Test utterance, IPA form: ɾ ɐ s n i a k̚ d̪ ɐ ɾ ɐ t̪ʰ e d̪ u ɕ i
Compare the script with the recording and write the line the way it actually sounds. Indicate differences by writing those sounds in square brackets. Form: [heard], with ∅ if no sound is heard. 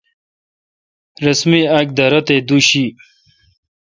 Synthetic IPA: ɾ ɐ s [m] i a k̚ d̪ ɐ ɾ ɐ [t̪] e d̪ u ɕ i